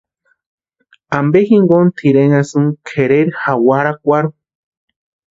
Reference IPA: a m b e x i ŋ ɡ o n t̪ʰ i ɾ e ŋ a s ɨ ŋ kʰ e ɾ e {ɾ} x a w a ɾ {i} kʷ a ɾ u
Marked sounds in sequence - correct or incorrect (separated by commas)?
correct, incorrect